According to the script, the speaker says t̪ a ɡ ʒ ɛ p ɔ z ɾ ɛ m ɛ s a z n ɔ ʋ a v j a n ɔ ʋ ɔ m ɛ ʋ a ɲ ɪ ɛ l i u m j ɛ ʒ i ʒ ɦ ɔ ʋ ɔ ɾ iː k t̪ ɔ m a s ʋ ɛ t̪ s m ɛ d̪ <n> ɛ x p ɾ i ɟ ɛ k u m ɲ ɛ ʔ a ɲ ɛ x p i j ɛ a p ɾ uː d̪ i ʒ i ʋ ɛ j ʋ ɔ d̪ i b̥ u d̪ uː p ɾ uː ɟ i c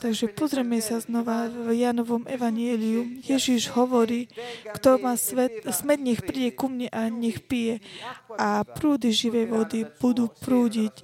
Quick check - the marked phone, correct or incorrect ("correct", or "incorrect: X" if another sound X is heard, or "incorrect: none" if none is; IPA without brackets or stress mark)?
incorrect: ɲ